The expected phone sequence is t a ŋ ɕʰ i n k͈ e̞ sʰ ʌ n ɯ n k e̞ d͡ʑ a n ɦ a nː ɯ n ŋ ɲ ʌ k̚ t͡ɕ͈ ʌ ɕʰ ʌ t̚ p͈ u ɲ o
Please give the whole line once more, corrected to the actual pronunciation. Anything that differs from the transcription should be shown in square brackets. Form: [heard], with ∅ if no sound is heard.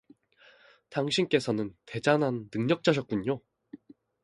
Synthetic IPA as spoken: t a ŋ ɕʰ i n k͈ e̞ sʰ ʌ n ɯ n [t] e̞ d͡ʑ a n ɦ a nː ɯ [∅] ŋ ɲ ʌ k̚ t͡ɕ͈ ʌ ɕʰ ʌ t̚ [k͈] u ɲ o